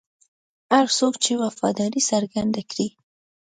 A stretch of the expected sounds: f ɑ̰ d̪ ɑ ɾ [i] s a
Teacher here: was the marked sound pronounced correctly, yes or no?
yes